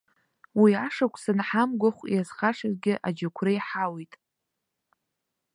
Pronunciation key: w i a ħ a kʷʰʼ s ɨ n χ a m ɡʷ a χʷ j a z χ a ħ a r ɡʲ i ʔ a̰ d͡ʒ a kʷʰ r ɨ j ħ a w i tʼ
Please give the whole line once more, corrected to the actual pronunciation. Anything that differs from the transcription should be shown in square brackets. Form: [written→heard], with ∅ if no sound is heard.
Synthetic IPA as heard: w i a [ħ→ʂ] a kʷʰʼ s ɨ n [χ→ħ] a m ɡʷ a χʷ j a z χ a [ħ→ʂ] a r ɡʲ [i→ɪ] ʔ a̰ d͡ʒ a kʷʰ r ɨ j ħ a w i tʼ